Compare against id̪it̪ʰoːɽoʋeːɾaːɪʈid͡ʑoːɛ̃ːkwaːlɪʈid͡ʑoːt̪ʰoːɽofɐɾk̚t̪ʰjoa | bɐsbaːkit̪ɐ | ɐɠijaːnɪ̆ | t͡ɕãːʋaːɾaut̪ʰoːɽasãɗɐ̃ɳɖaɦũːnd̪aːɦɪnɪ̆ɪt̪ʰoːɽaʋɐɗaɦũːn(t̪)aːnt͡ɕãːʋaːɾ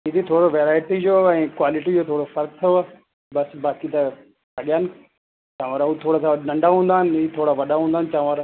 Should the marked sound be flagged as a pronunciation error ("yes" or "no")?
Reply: yes